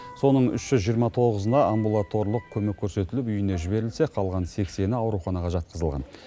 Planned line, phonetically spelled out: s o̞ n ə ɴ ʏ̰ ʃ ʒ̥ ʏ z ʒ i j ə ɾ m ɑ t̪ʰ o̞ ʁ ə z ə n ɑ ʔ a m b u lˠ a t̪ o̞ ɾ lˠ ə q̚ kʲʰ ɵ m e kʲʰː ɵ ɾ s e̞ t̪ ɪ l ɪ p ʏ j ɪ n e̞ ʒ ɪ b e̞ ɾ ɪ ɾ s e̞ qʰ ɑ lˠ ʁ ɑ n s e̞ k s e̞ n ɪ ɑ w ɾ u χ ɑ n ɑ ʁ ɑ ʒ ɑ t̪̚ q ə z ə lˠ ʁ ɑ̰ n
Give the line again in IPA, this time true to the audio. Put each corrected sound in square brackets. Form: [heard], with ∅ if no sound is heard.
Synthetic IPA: s o̞ n ə ɴ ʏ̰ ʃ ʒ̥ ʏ z ʒ i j ə ɾ m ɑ t̪ʰ o̞ ʁ ə z ə n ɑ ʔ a m b u lˠ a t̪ o̞ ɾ lˠ ə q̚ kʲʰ ɵ m e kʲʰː ɵ ɾ s e̞ t̪ ɪ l ɪ p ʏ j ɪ n e̞ ʒ ɪ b e̞ ɾ ɪ [l] s e̞ qʰ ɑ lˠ ʁ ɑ n s e̞ k s e̞ n ɪ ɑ w ɾ u χ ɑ n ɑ ʁ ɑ ʒ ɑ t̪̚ q ə z ə lˠ ʁ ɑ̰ n

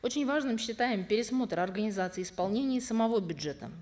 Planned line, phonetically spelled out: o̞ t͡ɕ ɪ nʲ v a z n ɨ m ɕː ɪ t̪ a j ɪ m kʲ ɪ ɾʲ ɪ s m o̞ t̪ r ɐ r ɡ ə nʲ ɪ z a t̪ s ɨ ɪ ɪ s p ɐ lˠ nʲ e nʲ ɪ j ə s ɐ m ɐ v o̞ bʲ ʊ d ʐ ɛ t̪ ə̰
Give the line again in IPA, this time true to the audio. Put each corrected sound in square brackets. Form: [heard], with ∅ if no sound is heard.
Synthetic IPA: o̞ t͡ɕ ɪ nʲ v a [ʐ] n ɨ m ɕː ɪ t̪ a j ɪ m [pʲ] ɪ ɾʲ ɪ s m o̞ t̪ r ɐ r ɡ ə nʲ ɪ z a t̪ s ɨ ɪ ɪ s p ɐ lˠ nʲ e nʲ ɪ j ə s [ə] m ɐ v o̞ bʲ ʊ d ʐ ɛ t̪ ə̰

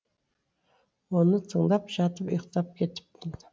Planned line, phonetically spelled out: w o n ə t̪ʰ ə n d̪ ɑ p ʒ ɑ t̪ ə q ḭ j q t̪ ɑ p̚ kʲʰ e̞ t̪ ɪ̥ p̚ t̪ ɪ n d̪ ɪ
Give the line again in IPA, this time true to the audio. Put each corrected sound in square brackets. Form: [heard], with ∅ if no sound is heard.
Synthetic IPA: w o n ə t̪ʰ ə [ɴ] d̪ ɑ p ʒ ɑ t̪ ə [p] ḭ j q t̪ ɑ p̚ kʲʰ e̞ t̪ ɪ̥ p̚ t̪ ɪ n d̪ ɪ

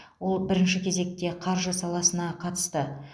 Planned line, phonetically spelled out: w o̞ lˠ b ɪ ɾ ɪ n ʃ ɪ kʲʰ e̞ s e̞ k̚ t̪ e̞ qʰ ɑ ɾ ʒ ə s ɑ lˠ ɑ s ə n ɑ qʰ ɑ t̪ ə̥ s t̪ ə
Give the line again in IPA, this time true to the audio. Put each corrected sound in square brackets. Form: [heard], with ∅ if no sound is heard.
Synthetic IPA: w o̞ lˠ b ɪ ɾ ɪ n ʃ ɪ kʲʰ e̞ [z] e̞ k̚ t̪ e̞ qʰ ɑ ɾ ʒ ə s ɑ lˠ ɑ s ə n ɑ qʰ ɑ t̪ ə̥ s t̪ ə

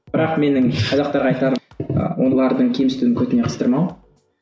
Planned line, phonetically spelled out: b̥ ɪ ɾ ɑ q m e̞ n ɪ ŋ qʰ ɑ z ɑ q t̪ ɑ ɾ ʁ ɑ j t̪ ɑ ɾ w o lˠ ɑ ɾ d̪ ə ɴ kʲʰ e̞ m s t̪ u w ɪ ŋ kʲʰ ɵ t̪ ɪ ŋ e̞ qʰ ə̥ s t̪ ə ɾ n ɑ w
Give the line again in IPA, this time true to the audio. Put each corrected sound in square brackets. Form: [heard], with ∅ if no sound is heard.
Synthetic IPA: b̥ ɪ ɾ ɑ q m e̞ n ɪ ŋ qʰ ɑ z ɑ q t̪ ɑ ɾ ʁ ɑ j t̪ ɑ ɾ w o lˠ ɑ ɾ d̪ ə ɴ kʲʰ e̞ m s t̪ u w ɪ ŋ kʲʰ ɵ t̪ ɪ [n] e̞ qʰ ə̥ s t̪ ə ɾ [m] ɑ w

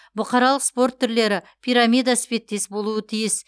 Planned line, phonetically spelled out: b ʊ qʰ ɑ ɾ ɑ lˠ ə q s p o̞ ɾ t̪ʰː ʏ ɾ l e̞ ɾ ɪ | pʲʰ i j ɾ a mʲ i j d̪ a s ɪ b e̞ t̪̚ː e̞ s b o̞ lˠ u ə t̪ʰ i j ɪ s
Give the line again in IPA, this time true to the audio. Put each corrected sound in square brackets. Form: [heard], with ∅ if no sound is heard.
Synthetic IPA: b ʊ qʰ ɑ ɾ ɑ lˠ ə q s p o̞ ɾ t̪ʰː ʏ ɾ l e̞ ɾ ɪ | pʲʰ i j ɾ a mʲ i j d̪ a s ɪ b e̞ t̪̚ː e̞ s b o̞ lˠ u ə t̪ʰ i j ɪ s

